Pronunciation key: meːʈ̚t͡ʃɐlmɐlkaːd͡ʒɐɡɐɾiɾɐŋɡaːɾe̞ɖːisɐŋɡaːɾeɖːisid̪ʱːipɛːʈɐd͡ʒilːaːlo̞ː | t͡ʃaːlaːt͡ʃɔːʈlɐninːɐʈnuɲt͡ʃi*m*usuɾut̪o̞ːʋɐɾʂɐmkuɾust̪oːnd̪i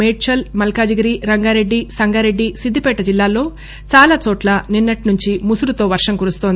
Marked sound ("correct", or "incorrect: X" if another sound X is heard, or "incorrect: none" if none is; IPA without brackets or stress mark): correct